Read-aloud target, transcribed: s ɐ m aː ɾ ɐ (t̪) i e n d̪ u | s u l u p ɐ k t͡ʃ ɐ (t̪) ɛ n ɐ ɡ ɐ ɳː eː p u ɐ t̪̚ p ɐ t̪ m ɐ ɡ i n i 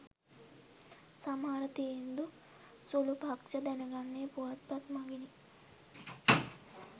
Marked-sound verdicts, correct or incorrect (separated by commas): correct, incorrect